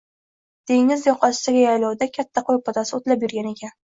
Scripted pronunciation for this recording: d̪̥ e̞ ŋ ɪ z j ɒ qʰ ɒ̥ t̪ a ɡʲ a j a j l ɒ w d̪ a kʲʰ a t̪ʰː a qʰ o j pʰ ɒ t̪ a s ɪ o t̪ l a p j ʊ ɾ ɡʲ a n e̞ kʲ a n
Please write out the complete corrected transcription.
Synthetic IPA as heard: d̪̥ e̞ ŋ ɪ z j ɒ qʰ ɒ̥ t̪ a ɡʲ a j a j l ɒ w d̪ a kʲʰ a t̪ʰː a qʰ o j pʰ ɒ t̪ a s ɪ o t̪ l a p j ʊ ɾ ɡʲ a n e̞ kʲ a n

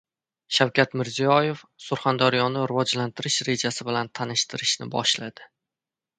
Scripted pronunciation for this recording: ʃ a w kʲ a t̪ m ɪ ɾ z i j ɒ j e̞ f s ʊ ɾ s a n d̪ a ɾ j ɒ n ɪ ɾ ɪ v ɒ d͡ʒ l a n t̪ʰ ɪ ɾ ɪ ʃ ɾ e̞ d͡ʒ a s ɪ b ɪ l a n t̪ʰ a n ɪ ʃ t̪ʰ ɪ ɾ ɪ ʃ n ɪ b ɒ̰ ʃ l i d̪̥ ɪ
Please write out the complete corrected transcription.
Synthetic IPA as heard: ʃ a w kʲ a t̪ m ɪ ɾ z i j ɒ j e̞ f s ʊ ɾ χ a n d̪ a ɾ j ɒ n ɪ ɾ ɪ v ɒ d͡ʒ l a n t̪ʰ ɪ ɾ ɪ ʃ ɾ e̞ d͡ʒ a s ɪ b ɪ l a n t̪ʰ a n ɪ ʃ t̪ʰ ɪ ɾ ɪ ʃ n ɪ b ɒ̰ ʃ l a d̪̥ ɪ

